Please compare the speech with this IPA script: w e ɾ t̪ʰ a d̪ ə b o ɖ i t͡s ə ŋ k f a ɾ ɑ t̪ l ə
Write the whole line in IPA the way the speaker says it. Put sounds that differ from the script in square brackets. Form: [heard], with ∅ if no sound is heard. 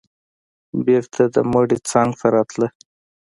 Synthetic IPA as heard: [b] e ɾ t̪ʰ a d̪ ə [m] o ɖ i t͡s [ɑ] ŋ [ɡ] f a ɾ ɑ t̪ l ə